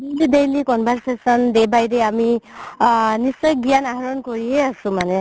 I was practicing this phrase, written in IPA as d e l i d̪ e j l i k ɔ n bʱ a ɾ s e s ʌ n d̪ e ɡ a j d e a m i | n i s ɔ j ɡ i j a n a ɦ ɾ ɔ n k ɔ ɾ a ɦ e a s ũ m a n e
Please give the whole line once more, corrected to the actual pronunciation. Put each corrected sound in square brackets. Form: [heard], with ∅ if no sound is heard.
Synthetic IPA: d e l i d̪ e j l i k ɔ n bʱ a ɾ s e s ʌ n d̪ e [b] a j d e a m i | n i s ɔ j ɡ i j a n a ɦ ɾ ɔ n k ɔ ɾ [i] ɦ e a s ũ m a n e